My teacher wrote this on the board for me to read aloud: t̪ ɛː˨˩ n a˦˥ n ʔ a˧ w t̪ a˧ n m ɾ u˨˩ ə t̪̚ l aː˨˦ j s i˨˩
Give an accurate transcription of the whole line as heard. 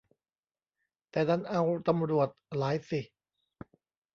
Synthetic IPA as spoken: t̪ ɛː˨˩ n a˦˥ n ʔ a˧ w t̪ a˧ m ɾ u˨˩ ə t̪̚ l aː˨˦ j s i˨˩